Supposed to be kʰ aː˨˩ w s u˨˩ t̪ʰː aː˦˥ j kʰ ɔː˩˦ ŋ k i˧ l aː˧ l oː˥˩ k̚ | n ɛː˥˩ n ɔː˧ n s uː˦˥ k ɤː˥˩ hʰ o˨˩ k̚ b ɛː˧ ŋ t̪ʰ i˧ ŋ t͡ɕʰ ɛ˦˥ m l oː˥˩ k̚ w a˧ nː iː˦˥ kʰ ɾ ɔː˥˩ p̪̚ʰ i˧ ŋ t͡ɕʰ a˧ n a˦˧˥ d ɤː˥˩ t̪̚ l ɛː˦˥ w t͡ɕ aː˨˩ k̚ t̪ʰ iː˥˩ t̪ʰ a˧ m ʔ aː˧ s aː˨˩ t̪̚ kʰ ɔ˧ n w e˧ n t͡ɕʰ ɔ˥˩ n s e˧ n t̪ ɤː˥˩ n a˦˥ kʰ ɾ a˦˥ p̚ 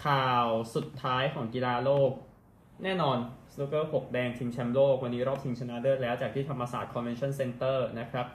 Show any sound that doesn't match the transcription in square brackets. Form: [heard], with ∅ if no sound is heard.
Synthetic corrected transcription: kʰ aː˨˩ w s u˨˩ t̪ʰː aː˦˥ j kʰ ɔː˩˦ ŋ k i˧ l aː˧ l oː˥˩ k̚ | n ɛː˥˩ n ɔː˧ n s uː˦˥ k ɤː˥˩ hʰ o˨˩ k̚ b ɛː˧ ŋ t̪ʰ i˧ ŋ t͡ɕʰ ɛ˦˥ m l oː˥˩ k̚ w a˧ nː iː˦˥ [∅] ɾ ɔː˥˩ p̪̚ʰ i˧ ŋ t͡ɕʰ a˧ n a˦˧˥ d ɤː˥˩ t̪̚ l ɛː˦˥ w t͡ɕ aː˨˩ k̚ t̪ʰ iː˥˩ t̪ʰ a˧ m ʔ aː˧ s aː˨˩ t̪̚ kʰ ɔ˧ n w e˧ n t͡ɕʰ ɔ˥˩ n s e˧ n t̪ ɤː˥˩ n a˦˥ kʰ ɾ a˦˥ p̚